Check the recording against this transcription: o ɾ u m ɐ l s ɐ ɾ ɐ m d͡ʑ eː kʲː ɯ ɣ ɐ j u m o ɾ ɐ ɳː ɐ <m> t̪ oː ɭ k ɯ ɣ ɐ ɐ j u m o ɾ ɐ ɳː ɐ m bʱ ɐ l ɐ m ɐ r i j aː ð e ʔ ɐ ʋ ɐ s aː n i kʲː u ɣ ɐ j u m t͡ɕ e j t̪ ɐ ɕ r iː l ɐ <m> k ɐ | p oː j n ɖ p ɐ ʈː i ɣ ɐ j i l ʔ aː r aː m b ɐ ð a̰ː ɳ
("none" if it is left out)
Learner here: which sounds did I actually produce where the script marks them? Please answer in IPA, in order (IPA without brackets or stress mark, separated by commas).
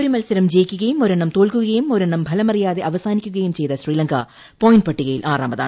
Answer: m, ŋ